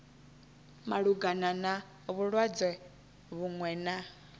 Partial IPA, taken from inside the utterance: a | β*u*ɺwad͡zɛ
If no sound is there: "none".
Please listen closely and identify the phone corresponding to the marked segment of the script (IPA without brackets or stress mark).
u